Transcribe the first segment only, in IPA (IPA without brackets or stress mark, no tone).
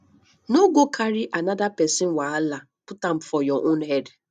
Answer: n